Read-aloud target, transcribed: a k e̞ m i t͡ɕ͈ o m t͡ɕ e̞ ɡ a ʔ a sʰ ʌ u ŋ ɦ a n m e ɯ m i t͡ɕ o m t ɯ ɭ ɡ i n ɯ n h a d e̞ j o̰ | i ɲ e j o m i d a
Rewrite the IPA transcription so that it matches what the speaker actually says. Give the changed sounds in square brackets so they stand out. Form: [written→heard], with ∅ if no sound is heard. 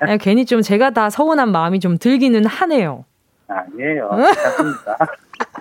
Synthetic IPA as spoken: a k e̞ [m→ɲ] i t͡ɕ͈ o m t͡ɕ e̞ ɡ a [ʔ→t] a sʰ ʌ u [ŋ→n] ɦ a n m [e→a] ɯ m i t͡ɕ o m t ɯ ɭ ɡ i n ɯ n h a [d→n] e̞ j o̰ | [i→a] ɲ e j o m i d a